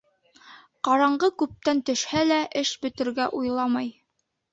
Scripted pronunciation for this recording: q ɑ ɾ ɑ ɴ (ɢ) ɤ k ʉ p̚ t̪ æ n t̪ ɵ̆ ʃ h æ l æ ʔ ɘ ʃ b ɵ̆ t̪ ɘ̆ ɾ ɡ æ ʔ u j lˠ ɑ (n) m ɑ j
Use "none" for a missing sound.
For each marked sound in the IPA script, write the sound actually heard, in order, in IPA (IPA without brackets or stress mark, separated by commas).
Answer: ɢ, none